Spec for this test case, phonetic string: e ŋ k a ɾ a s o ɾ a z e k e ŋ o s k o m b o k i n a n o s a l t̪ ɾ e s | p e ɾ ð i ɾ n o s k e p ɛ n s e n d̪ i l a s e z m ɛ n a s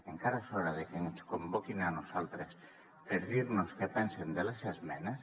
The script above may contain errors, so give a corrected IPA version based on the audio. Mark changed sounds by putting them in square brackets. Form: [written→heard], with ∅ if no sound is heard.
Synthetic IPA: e ŋ k a ɾ a s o ɾ a [z→ð] e k e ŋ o s k o m b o k i n a n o s a l t̪ ɾ e s | p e ɾ ð i ɾ n o s k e p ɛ n s e n d̪ [i→e] l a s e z m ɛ n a s